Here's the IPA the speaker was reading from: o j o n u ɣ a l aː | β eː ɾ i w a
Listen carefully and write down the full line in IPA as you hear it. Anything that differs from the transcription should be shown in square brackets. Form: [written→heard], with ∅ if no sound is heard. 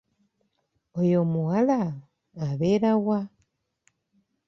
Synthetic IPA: o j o [n→m] u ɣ a l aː | β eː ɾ [i→a] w a